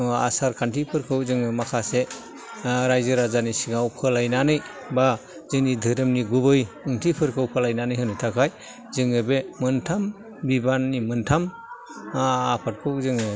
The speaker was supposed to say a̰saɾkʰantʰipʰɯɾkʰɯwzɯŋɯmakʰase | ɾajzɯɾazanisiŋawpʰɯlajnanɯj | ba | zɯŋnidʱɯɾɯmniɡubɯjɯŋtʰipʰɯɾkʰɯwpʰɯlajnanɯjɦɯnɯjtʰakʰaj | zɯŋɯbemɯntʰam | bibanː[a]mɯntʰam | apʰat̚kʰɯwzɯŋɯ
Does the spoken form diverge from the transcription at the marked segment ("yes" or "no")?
yes